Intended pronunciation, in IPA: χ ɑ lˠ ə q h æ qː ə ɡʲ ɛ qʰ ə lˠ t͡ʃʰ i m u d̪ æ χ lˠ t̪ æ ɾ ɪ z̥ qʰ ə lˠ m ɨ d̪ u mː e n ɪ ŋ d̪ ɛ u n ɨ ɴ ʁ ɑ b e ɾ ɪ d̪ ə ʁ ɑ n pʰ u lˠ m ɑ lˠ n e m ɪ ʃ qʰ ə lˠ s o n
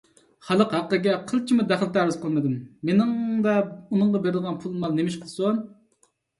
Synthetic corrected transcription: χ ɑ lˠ ə q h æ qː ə ɡʲ ɛ qʰ ə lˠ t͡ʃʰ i m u d̪ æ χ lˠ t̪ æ ɾ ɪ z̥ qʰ ə lˠ m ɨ d̪ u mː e n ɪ ŋ d̪ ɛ u n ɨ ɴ ʁ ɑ b e ɾ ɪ d̪ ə ʁ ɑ n pʰ u lˠ m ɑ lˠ n e m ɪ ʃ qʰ ə lˠ s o n